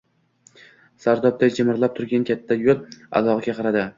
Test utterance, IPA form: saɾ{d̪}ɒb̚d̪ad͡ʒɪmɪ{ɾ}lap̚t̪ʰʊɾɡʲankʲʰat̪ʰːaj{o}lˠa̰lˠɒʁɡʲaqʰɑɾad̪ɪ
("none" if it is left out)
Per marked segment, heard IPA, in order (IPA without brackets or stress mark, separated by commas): d̪, ɾ, o